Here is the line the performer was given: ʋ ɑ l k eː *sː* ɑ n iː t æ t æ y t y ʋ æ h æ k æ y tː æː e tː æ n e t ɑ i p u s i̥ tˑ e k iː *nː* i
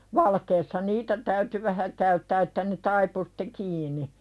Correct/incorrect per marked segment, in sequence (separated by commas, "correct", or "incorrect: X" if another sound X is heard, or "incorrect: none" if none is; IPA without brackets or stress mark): correct, incorrect: n